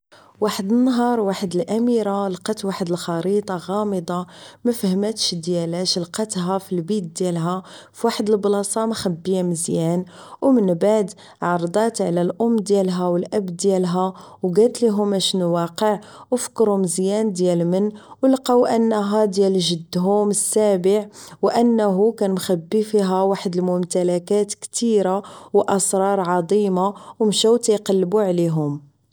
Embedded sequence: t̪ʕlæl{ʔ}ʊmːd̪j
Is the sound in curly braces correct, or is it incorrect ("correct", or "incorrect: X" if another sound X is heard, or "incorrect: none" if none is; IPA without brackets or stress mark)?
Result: correct